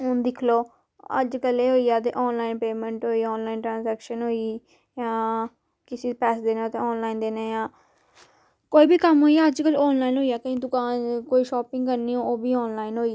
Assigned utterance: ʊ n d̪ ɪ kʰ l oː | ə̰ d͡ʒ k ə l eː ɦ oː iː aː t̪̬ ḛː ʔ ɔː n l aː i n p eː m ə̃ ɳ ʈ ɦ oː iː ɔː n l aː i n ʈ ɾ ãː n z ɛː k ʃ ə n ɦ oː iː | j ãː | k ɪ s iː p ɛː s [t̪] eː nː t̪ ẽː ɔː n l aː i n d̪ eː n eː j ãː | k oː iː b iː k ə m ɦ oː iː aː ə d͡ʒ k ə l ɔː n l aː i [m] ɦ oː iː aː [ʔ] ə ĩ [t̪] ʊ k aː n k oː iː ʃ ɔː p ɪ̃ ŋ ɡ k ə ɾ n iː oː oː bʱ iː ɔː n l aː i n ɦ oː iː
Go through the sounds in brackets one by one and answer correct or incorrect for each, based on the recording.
incorrect, incorrect, incorrect, incorrect

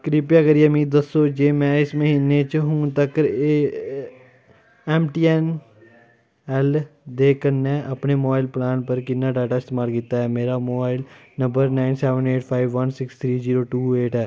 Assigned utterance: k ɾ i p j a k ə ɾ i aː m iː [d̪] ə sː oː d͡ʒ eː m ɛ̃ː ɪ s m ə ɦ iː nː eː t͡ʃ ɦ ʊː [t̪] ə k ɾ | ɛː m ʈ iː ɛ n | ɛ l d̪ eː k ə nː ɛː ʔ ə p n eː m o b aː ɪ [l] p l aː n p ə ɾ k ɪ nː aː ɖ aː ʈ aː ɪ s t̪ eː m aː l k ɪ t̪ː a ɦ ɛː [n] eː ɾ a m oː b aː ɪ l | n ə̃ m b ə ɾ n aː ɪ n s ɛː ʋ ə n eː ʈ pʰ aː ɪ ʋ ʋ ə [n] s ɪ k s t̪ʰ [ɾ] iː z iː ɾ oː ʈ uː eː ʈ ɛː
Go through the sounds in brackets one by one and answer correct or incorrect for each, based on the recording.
correct, correct, correct, incorrect, correct, correct

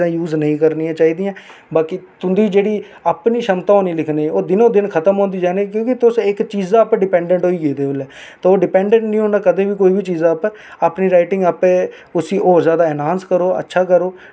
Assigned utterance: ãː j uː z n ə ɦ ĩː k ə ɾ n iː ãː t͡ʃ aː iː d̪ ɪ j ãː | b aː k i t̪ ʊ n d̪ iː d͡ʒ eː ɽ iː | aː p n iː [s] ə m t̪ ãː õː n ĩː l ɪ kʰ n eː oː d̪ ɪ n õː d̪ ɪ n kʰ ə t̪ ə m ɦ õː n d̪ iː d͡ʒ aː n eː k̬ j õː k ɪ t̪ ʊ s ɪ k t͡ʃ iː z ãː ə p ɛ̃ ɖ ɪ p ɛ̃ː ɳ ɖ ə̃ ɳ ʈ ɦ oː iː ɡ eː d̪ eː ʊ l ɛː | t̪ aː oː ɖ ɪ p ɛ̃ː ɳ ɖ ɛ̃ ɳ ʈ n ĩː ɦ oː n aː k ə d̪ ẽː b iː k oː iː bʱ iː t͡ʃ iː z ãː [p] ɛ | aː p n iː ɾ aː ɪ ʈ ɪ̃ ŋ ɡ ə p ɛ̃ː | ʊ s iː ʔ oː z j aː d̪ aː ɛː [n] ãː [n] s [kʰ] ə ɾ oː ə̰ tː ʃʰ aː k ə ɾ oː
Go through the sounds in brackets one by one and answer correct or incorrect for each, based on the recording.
incorrect, correct, correct, correct, incorrect

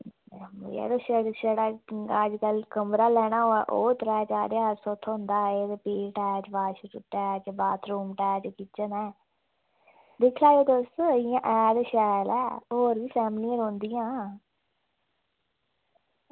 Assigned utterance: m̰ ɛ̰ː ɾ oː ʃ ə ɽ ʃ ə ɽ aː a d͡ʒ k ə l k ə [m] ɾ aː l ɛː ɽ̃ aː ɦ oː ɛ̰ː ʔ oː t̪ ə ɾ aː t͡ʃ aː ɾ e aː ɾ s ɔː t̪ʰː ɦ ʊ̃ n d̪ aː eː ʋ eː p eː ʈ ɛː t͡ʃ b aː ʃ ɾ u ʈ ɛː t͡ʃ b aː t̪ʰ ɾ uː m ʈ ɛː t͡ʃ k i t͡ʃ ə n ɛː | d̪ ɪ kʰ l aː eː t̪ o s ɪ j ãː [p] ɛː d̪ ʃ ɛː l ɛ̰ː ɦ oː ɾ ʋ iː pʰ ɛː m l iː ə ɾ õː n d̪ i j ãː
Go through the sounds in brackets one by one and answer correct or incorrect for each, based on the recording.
correct, incorrect

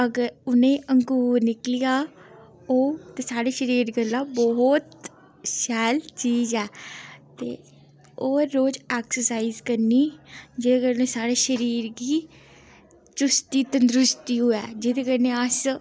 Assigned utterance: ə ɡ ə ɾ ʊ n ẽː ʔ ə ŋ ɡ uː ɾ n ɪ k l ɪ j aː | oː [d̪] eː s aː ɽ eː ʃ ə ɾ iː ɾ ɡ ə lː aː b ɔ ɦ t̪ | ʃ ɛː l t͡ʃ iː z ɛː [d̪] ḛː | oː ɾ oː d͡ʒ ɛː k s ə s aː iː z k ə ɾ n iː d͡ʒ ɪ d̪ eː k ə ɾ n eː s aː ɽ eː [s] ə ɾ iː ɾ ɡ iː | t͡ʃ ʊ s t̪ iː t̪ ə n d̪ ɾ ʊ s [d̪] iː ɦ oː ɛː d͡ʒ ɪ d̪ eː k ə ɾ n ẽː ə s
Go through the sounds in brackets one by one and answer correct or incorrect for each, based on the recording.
incorrect, incorrect, incorrect, incorrect

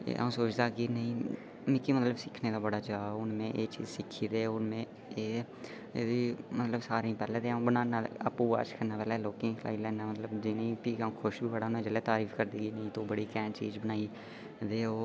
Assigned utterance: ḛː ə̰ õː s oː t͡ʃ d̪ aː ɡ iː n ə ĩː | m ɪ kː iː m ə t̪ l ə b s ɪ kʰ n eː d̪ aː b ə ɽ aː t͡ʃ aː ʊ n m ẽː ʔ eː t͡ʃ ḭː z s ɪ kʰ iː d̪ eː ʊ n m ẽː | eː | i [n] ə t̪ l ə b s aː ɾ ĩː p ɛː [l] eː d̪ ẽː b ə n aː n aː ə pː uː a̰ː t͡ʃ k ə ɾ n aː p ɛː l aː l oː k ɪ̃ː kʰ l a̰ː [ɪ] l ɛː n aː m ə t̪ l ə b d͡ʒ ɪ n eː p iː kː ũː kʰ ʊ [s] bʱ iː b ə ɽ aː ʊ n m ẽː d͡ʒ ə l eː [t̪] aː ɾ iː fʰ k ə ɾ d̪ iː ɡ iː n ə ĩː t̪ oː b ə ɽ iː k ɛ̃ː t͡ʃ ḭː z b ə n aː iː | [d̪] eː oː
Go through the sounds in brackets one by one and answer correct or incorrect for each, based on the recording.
incorrect, correct, incorrect, incorrect, correct, correct

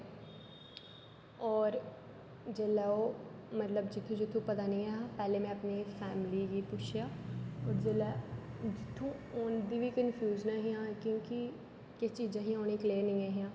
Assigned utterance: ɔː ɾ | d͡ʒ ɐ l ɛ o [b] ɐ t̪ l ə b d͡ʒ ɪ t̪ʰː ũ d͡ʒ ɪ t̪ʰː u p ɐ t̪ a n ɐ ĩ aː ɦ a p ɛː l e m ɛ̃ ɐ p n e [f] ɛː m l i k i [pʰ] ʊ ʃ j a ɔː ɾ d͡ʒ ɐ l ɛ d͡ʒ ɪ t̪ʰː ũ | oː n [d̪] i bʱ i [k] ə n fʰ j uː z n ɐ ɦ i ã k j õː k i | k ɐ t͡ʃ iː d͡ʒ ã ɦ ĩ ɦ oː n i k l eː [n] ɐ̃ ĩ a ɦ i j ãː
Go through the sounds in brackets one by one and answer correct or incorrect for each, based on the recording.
incorrect, correct, incorrect, correct, correct, correct

